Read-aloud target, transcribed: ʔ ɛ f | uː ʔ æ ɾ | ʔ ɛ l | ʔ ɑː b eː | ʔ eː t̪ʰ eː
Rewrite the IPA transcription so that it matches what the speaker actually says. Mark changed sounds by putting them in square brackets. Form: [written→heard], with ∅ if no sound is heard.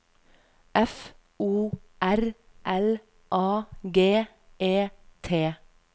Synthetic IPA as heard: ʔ ɛ f | uː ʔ æ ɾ | ʔ ɛ l | ʔ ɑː [b→ɡ] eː | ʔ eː t̪ʰ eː